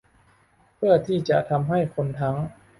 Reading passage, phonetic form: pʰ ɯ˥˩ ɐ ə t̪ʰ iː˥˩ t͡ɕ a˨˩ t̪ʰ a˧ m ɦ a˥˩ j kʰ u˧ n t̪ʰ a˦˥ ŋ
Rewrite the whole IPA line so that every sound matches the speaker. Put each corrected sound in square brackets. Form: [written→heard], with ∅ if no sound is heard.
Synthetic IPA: pʰ ɯ˥˩ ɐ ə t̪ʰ iː˥˩ t͡ɕ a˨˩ t̪ʰ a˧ m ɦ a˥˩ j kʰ [u˧→o˧] n t̪ʰ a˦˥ ŋ